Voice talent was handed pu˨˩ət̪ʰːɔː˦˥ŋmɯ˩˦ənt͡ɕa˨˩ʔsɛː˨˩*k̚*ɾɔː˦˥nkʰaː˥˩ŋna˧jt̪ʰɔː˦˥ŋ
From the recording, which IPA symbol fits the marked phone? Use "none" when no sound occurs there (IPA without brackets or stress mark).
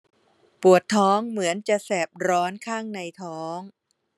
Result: p̚